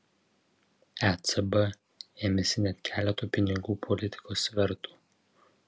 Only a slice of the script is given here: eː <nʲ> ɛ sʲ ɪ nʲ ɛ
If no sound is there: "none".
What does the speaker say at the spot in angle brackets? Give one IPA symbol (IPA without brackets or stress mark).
mʲ